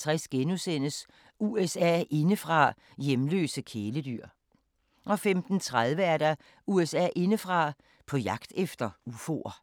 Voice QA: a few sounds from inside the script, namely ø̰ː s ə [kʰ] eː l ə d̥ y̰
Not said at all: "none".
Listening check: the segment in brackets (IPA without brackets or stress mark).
kʰ